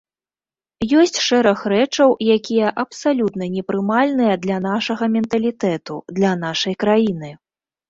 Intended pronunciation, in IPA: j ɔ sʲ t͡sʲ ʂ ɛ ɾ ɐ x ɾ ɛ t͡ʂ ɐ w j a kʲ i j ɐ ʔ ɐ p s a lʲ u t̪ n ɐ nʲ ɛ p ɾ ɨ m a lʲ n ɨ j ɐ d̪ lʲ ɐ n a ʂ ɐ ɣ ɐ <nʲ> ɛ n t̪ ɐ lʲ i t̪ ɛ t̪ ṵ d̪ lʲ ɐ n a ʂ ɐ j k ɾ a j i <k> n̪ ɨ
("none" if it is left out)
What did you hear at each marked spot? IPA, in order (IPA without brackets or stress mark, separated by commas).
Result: mʲ, none